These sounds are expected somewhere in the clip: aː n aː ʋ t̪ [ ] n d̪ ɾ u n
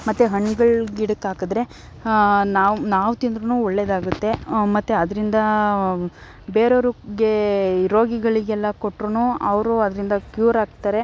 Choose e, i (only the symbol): i